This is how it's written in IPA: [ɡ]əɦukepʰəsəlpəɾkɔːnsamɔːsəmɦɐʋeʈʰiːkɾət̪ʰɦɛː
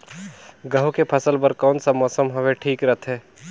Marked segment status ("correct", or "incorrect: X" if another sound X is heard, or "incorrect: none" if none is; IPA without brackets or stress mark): correct